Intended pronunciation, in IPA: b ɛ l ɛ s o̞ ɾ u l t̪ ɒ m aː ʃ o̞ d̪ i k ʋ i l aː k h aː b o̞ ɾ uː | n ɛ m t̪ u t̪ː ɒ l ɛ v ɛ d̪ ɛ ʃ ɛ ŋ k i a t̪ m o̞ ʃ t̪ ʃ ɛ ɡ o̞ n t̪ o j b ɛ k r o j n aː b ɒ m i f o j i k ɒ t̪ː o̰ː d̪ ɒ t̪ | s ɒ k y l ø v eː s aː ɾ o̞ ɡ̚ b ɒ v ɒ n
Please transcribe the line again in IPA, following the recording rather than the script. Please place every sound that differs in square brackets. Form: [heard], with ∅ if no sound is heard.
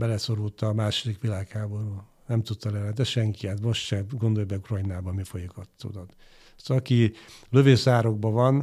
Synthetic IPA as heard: b ɛ l ɛ s o̞ ɾ u l t̪ ɒ m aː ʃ o̞ d̪ i k ʋ i l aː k h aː b o̞ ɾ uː | n ɛ m t̪ u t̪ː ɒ l ɛ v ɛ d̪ ɛ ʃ ɛ ŋ k i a t̪ m o̞ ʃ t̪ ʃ ɛ ɡ o̞ n [d̪] o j b ɛ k r o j n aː b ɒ m i f o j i k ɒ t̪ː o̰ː d̪ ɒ t̪ | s ɒ k [i] l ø v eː s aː ɾ o̞ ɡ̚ b ɒ v ɒ n